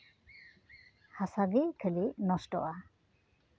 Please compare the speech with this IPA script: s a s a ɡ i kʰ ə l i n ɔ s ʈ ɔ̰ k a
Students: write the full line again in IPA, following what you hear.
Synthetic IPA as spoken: h a s a ɡ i kʰ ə l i n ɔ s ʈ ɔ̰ ʔ a